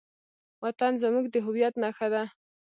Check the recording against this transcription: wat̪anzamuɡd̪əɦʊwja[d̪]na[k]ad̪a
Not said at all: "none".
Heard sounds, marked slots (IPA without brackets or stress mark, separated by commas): t̪, x